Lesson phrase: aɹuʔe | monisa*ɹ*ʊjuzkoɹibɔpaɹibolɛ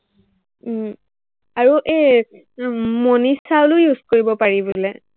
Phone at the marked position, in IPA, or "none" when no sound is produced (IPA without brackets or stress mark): l